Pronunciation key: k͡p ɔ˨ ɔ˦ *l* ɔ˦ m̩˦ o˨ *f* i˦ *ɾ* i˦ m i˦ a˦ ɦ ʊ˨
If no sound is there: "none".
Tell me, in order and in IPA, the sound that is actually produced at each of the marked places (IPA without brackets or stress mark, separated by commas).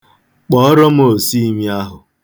ɾ, s, none